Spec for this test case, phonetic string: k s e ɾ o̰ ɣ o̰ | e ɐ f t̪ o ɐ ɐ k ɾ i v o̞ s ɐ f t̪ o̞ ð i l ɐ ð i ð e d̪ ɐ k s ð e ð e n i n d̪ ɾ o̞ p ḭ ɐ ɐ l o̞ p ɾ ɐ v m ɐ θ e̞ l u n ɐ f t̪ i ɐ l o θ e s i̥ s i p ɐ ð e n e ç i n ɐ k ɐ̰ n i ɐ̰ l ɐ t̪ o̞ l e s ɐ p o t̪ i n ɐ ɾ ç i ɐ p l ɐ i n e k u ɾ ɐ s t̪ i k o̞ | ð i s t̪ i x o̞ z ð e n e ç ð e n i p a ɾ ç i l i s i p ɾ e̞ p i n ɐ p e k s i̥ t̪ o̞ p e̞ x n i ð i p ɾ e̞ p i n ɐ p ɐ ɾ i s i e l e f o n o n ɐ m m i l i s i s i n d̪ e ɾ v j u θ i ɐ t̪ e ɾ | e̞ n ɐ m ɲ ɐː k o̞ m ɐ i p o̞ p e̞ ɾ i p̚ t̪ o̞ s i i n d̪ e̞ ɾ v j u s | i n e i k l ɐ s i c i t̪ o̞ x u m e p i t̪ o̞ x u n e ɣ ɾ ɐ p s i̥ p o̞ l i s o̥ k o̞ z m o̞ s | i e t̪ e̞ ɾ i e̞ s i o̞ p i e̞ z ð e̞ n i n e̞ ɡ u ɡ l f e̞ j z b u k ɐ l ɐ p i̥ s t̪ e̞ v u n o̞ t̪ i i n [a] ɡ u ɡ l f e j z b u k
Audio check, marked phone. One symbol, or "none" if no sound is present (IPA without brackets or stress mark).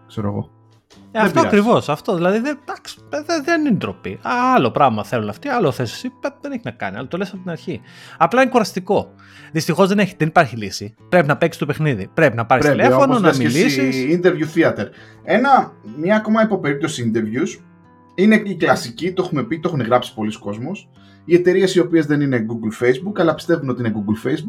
e